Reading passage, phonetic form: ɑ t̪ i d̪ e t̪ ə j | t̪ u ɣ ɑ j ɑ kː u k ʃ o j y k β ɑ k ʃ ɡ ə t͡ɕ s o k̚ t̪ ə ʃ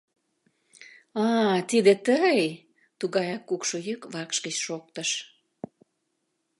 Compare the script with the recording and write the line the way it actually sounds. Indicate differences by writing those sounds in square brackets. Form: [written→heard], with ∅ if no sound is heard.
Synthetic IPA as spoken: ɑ t̪ i d̪ e t̪ ə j | t̪ u ɣ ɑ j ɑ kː u k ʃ o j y k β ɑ k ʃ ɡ ə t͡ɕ [s→ʃ] o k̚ t̪ ə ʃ